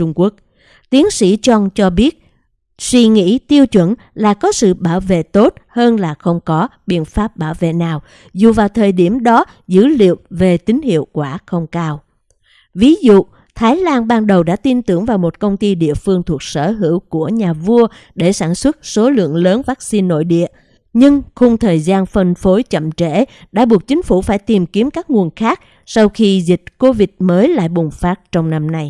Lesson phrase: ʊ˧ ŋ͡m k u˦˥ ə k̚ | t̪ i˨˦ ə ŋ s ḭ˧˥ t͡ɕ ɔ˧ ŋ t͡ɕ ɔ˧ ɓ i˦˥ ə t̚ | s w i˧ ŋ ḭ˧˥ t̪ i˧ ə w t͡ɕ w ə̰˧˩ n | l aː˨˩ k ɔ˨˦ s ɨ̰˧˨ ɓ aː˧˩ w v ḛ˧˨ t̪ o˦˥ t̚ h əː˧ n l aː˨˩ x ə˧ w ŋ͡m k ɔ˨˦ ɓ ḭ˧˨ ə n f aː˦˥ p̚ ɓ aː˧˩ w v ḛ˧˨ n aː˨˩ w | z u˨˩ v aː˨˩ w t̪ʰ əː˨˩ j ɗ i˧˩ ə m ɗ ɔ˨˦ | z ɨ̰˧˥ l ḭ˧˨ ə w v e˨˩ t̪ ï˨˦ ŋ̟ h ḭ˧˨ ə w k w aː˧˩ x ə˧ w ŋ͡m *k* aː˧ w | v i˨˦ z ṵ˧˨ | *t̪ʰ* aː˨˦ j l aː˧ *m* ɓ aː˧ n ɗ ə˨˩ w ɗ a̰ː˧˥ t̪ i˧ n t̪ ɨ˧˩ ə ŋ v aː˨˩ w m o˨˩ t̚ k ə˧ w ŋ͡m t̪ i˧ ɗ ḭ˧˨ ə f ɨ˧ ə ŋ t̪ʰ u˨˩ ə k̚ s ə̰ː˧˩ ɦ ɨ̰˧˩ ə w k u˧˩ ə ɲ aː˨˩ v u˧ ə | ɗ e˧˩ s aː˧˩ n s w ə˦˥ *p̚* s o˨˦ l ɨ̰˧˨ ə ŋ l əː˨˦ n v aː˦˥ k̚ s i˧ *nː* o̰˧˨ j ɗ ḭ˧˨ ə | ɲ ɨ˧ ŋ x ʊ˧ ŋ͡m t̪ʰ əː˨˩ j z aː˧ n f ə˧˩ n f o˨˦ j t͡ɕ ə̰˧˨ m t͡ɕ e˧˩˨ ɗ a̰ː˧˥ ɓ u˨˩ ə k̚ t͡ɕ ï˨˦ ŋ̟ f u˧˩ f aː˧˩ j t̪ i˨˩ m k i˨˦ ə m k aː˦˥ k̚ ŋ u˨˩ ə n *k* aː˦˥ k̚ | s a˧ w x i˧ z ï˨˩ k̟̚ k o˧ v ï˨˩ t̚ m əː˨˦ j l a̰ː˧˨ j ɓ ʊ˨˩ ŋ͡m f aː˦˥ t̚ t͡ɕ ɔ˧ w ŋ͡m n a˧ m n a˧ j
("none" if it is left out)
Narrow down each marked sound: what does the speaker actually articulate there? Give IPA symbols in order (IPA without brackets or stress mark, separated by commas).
k, t̪ʰ, n, t̚, nː, x